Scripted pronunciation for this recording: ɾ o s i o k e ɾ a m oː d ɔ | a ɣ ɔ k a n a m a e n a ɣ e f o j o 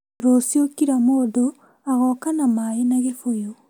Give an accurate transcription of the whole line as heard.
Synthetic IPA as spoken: ɾ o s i o k i ɾ a m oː d o | a ɣ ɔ k a n a m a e n a ɣ e f o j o